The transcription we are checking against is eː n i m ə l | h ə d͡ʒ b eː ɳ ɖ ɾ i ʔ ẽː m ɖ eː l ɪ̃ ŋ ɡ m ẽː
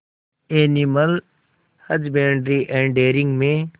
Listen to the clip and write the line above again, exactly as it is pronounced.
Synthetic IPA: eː n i m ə l | h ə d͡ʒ b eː ɳ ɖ ɾ i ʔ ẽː ɳ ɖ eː ɾ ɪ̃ ŋ ɡ m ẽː